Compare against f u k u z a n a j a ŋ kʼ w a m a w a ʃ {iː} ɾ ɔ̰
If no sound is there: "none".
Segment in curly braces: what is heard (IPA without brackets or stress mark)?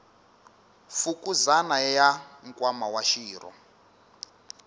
iː